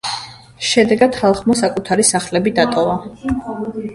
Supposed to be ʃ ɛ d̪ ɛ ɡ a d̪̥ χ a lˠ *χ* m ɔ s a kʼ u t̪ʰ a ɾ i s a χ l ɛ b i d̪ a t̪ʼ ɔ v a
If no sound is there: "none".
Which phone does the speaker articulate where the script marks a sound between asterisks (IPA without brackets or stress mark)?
χ